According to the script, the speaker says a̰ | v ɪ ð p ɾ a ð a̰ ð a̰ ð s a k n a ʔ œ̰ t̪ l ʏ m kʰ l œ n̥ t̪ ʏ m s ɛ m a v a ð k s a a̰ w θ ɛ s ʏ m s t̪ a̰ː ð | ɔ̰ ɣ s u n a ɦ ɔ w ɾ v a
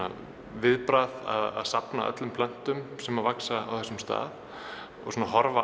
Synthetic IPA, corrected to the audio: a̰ | v ɪ ð p ɾ a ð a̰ ð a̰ ð s a p n a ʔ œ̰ t̪ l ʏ m pʰ l œ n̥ t̪ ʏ m s ɛ m a v a k s a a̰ w θ ɛ s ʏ m s t̪ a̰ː ð | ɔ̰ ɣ s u n a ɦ ɔ ɾ v a